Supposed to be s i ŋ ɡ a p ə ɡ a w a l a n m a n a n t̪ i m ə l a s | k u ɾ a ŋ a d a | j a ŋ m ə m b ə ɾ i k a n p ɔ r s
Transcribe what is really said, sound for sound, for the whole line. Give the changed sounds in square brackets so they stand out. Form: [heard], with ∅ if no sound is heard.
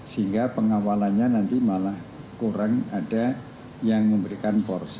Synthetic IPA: s i ŋ ɡ a p ə [ŋ] a w a l a n [ɲ] a n a n t̪ i m [a] l a [h] | k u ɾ a ŋ a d a | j a ŋ m ə m b ə ɾ i k a n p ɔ r s